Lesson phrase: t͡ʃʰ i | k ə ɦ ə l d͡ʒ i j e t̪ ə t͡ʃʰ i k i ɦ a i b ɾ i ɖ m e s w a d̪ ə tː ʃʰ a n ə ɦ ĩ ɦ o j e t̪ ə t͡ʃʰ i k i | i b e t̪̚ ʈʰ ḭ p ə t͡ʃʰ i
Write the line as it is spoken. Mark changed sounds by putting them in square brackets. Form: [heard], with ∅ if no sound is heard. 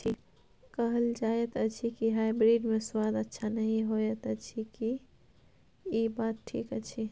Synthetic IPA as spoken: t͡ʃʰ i | k ə ɦ ə l d͡ʒ [a] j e t̪ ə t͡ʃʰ i k i ɦ a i b ɾ i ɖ m e s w a d̪ ə tː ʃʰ a n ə ɦ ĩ ɦ o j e t̪ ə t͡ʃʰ i k i | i b [a] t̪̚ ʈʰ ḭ [k] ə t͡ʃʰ i